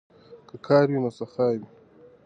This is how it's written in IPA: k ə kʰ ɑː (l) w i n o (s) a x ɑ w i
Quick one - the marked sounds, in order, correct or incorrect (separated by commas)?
incorrect, correct